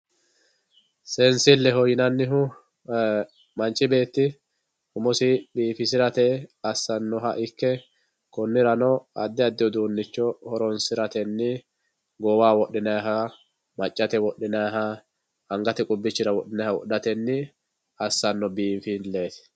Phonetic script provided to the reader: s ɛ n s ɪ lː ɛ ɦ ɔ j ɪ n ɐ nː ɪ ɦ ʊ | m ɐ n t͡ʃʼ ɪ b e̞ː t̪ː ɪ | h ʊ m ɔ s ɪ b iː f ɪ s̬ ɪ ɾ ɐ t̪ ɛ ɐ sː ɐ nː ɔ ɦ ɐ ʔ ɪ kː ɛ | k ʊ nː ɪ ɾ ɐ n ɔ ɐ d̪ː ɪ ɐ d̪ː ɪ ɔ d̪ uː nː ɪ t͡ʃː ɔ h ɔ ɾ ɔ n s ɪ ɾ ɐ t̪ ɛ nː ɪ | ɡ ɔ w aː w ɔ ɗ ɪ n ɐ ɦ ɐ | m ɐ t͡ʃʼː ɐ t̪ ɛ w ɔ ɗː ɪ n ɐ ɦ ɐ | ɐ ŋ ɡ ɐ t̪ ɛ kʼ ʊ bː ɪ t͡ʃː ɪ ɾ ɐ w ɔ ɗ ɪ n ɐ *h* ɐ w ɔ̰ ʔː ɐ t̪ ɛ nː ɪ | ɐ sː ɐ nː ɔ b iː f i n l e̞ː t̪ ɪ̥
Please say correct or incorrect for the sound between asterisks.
correct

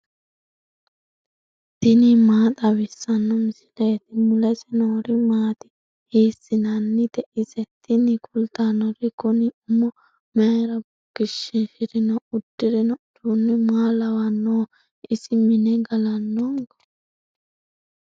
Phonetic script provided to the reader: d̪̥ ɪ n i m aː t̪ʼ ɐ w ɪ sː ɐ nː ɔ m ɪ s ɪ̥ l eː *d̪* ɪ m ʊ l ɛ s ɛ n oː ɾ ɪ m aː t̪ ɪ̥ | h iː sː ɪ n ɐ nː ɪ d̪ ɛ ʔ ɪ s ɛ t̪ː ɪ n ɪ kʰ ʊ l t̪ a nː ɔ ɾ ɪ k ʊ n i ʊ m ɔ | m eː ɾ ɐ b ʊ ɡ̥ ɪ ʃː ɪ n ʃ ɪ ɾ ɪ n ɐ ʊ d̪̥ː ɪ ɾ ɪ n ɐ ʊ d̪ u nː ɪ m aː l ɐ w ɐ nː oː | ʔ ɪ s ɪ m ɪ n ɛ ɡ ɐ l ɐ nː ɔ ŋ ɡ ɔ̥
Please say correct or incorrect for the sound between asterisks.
incorrect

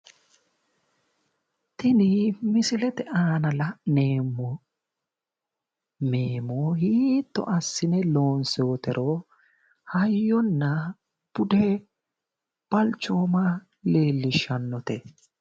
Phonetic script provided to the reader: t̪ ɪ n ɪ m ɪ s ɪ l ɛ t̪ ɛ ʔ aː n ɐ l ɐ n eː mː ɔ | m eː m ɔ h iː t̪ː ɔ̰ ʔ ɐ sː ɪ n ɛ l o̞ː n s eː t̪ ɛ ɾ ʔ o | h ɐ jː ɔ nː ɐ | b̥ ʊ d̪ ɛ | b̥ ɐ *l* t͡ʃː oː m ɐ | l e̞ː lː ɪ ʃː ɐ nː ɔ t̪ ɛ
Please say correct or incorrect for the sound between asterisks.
correct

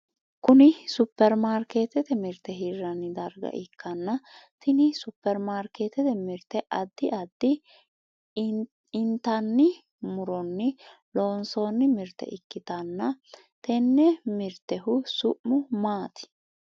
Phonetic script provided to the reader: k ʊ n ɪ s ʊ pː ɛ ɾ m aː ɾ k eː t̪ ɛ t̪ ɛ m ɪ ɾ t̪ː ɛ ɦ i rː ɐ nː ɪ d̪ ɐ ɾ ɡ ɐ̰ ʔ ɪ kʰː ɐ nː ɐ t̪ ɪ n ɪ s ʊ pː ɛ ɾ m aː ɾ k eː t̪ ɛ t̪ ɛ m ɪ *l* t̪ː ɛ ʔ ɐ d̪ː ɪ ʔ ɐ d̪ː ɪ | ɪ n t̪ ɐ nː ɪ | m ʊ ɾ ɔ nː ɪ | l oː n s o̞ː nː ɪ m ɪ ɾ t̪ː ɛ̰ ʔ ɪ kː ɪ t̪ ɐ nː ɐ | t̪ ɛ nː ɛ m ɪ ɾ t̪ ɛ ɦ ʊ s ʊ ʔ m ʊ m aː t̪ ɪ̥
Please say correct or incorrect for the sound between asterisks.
incorrect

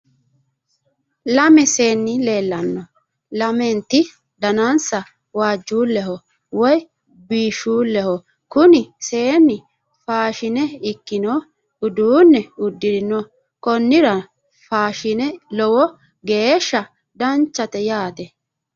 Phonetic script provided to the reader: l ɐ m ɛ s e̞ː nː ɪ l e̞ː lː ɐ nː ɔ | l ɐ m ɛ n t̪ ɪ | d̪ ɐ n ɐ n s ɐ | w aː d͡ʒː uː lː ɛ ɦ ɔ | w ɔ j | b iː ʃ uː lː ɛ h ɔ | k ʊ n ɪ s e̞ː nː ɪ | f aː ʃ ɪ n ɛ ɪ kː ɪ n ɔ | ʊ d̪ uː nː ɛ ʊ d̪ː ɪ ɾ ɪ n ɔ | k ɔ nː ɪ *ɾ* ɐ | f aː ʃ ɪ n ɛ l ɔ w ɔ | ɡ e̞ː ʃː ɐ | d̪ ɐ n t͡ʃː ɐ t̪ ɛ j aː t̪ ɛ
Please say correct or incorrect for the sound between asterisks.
correct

